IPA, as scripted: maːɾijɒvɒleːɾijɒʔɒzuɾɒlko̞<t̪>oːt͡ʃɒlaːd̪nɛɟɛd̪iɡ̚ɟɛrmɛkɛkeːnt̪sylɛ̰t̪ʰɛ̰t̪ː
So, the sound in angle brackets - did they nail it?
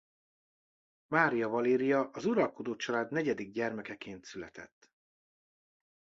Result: no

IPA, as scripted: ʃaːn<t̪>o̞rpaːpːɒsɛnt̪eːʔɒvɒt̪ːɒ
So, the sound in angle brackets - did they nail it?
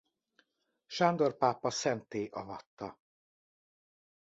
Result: no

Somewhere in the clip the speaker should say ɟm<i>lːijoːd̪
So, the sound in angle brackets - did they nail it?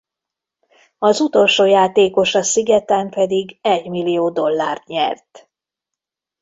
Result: yes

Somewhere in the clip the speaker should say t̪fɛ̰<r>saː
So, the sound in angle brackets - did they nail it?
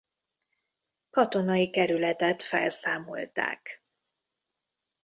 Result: no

